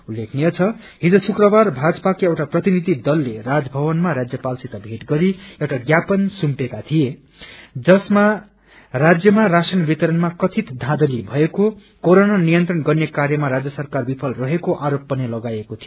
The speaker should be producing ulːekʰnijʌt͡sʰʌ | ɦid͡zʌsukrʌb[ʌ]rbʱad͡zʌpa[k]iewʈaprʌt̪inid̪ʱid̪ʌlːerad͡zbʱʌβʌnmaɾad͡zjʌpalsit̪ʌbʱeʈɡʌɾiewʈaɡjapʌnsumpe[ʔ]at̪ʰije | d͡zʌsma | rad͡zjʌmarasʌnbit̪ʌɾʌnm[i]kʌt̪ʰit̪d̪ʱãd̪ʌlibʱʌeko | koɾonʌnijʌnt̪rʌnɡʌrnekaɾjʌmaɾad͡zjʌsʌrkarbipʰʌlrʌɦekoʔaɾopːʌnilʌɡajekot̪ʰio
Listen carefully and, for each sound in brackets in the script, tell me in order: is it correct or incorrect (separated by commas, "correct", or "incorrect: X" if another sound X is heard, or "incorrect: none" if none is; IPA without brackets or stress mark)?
incorrect: a, correct, incorrect: k, incorrect: a